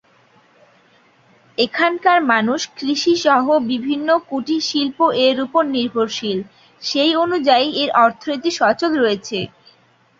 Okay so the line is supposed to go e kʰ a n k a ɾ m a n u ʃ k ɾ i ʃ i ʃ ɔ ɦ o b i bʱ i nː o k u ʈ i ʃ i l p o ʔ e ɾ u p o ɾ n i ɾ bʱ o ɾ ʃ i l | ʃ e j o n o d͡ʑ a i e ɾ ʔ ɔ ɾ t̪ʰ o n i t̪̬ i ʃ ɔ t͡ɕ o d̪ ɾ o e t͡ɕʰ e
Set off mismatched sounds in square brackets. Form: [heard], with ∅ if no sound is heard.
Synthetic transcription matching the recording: e kʰ a n k a ɾ m a n u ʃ k ɾ i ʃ i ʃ ɔ ɦ o b i bʱ i nː o k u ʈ i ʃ i l p o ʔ e ɾ u p o ɾ n i ɾ bʱ o ɾ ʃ i l | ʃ e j o n [u] d͡ʑ a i e ɾ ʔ ɔ ɾ t̪ʰ o n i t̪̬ i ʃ ɔ t͡ɕ o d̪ ɾ o e t͡ɕʰ e

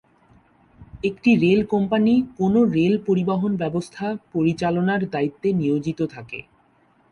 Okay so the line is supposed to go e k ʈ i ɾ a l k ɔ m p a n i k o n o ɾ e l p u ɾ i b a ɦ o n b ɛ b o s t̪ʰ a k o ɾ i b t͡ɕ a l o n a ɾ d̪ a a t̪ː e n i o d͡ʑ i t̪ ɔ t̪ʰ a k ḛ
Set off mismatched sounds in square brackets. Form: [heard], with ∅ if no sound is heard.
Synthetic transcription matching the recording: e k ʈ i ɾ [e] l k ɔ m p a n i k o n o ɾ e l p [o] ɾ i b a ɦ o n b ɛ b o s t̪ʰ a [p] o ɾ i [∅] t͡ɕ a l o n a ɾ d̪ a [i] t̪ː e n i o d͡ʑ i t̪ [o] t̪ʰ a k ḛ

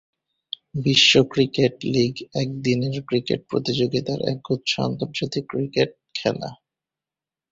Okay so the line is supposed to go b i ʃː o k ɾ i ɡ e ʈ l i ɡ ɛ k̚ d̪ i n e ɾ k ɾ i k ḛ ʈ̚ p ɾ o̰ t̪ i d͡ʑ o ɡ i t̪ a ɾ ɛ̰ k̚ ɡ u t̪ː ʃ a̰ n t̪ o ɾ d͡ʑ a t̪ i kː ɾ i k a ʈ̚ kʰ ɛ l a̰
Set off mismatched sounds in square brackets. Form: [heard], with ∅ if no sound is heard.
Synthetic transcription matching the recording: b i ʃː o k ɾ i [k] e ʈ l i ɡ ɛ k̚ d̪ i n e ɾ k ɾ i k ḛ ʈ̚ p ɾ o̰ t̪ i d͡ʑ o ɡ i t̪ a ɾ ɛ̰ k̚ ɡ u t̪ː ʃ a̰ n t̪ o ɾ d͡ʑ a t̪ i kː ɾ i k [e] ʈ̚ kʰ ɛ l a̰

